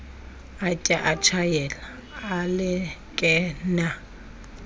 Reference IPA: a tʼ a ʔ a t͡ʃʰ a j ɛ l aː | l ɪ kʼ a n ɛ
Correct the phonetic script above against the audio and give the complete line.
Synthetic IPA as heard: a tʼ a ʔ a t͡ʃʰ a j ɛ l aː | l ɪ kʼ ɛ n a